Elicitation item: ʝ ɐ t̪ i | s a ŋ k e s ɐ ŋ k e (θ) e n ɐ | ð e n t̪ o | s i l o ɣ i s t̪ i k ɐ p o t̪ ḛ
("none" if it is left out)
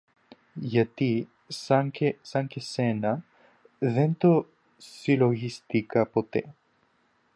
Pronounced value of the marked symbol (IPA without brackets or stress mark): s